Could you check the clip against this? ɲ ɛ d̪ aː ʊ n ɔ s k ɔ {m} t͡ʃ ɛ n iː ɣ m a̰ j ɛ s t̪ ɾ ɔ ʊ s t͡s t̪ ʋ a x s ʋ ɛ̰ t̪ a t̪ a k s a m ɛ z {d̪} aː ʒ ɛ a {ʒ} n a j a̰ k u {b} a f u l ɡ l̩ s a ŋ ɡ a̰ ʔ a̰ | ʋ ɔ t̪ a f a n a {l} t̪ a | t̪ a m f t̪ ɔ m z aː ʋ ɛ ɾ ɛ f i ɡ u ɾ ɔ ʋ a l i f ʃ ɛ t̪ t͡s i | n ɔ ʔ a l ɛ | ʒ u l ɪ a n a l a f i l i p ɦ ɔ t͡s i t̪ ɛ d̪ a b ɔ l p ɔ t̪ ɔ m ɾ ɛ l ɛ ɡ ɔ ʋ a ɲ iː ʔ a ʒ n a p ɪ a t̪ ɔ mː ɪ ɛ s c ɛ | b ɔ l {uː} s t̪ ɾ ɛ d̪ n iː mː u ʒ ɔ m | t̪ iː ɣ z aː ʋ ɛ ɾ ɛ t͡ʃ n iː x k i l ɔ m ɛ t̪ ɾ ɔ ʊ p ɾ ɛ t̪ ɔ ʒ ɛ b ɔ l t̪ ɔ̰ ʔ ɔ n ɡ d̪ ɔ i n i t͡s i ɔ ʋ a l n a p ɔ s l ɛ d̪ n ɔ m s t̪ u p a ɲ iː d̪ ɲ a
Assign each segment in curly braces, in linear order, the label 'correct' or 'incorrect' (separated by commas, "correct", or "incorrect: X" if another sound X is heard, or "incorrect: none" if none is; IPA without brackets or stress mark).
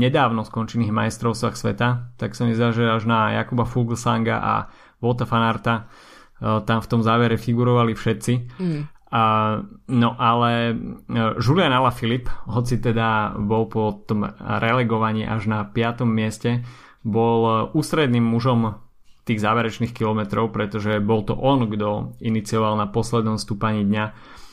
incorrect: n, correct, correct, correct, incorrect: ɾ, correct